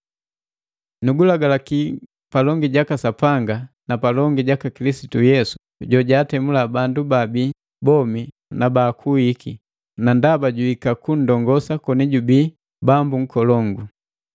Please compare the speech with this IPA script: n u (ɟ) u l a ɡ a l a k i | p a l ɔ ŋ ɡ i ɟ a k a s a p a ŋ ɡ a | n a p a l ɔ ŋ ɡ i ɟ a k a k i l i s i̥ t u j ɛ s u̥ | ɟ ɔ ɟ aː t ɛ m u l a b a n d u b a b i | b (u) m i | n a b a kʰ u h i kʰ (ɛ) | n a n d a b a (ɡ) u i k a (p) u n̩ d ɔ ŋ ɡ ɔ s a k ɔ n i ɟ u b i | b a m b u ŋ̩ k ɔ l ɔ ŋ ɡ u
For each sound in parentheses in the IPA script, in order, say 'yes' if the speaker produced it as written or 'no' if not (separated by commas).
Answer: no, no, no, no, no